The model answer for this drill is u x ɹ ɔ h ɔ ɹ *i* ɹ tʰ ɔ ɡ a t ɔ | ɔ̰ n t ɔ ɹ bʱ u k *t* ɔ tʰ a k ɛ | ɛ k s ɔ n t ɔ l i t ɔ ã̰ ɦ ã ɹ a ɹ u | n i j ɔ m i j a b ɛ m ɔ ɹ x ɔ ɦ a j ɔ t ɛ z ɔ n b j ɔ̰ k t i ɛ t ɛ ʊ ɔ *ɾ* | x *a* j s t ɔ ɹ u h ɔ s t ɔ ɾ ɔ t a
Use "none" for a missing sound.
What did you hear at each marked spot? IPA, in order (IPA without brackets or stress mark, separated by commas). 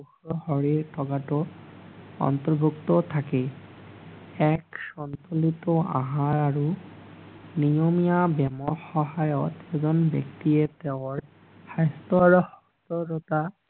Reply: i, t, ɹ, a